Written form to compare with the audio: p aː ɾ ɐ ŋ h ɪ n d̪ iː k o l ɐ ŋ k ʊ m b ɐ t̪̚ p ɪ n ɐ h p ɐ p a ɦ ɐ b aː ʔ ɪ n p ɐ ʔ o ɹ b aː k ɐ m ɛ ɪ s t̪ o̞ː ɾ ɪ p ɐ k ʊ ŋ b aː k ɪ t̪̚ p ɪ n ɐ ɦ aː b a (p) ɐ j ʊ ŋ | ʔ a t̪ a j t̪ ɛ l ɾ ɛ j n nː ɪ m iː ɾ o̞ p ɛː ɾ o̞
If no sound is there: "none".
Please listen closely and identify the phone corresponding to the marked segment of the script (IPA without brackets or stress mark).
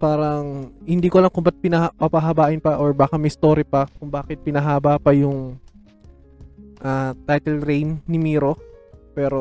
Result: p